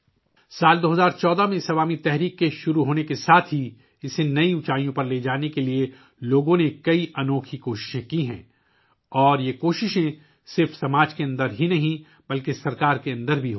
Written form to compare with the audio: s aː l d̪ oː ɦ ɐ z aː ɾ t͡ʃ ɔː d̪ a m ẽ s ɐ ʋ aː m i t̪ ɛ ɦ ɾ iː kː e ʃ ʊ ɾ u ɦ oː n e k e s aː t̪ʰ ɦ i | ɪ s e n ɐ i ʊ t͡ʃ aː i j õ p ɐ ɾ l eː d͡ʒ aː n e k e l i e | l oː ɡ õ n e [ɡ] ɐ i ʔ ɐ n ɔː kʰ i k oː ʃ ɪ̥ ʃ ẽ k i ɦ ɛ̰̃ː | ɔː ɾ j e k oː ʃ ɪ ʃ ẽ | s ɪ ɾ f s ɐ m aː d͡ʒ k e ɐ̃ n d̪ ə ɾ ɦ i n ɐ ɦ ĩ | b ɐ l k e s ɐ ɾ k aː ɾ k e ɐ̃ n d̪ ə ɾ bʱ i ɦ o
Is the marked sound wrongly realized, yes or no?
yes